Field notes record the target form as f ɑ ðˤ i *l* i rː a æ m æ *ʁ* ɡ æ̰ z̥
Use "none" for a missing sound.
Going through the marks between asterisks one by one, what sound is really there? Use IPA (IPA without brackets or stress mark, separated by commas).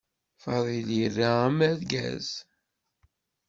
l, ð